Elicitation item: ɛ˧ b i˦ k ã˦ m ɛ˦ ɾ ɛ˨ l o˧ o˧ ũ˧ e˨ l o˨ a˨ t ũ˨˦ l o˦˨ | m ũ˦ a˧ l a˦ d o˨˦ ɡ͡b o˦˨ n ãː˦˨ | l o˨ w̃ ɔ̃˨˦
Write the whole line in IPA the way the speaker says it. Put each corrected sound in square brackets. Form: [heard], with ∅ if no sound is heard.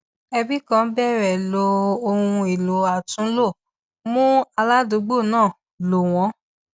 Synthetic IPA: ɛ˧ b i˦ k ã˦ [b] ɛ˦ ɾ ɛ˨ l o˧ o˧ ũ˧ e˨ l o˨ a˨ t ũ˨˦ l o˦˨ | m ũ˦ a˧ l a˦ d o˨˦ ɡ͡b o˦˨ n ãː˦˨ | l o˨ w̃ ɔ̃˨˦